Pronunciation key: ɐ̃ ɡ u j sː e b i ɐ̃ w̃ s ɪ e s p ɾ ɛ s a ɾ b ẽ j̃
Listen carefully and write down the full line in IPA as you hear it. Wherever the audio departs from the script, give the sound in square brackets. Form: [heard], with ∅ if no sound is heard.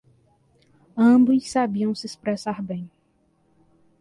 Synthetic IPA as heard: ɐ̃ [b] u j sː [a] b i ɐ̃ w̃ s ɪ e s p ɾ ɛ s a ɾ b ẽ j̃